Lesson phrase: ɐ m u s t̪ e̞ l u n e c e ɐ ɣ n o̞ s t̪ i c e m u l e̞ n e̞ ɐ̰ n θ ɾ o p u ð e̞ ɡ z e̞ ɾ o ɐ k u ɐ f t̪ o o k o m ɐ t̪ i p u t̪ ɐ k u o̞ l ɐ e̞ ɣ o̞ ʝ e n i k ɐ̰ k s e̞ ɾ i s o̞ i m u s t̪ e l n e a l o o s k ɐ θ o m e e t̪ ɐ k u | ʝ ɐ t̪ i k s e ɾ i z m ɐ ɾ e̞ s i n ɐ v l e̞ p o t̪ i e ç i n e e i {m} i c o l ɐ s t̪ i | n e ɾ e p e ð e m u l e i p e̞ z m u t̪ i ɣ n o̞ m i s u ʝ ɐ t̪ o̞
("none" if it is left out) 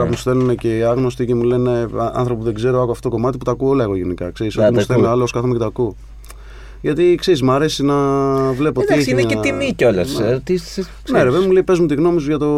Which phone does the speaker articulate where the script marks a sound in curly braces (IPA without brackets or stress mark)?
m